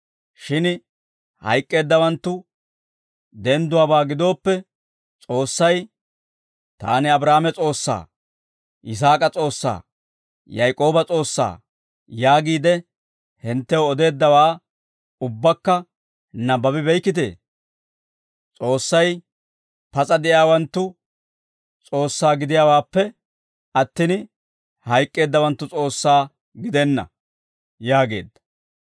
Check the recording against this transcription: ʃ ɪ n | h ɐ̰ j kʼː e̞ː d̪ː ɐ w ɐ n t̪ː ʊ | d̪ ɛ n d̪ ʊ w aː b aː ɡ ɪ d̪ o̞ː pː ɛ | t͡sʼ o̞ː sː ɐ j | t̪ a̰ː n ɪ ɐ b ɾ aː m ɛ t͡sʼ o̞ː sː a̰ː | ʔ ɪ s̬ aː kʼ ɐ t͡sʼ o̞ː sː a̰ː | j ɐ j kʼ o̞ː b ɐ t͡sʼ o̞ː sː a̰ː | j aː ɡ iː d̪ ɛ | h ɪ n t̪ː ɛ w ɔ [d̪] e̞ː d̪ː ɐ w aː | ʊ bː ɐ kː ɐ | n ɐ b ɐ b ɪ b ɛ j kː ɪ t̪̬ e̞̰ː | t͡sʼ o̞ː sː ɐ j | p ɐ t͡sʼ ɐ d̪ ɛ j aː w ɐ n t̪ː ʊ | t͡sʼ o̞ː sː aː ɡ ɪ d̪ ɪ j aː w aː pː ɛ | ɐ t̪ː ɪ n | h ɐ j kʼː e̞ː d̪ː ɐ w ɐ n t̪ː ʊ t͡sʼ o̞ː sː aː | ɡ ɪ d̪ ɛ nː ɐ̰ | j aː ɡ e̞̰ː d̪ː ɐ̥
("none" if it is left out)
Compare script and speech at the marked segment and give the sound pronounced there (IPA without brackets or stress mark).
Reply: d̪